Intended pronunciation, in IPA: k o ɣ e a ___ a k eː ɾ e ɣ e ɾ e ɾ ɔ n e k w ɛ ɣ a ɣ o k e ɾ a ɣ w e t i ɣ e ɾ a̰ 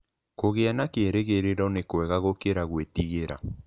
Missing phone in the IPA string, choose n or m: n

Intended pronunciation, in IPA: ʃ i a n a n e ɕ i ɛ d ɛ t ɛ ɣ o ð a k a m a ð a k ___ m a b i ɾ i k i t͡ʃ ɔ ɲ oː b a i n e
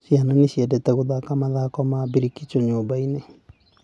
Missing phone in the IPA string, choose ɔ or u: ɔ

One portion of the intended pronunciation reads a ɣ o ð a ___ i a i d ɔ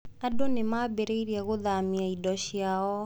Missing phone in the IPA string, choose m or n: m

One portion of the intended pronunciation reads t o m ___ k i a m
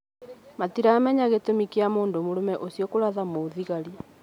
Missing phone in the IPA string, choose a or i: i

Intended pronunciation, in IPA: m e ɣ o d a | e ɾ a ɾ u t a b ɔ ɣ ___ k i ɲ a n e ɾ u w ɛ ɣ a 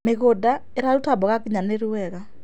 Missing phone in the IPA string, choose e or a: a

